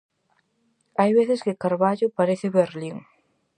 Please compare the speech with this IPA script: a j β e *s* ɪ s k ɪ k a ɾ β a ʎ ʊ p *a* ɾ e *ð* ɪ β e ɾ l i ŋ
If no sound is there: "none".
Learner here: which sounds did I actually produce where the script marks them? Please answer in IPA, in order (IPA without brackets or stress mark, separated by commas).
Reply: θ, a, θ